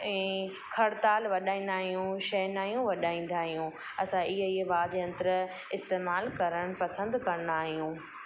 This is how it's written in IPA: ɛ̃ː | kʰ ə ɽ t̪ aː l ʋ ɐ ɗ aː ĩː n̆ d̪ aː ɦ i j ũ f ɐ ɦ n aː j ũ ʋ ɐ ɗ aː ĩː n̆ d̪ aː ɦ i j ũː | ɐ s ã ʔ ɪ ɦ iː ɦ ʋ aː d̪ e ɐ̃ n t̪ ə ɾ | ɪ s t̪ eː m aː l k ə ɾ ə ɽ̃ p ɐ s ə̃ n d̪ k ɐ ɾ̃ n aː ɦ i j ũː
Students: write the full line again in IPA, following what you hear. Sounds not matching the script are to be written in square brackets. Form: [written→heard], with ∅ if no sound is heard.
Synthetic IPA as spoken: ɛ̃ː | kʰ [ə→ɐ] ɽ t̪ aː l ʋ ɐ ɗ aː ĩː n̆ d̪ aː ɦ i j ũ [f→ʃ] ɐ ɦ n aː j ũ ʋ ɐ ɗ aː ĩː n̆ d̪ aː ɦ i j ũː | ɐ s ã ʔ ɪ ɦ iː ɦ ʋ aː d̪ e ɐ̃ n t̪ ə ɾ | ɪ s t̪ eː m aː l k [ə→ɐ] ɾ ə ɽ̃ p ɐ s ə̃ n d̪ k ɐ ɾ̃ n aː ɦ i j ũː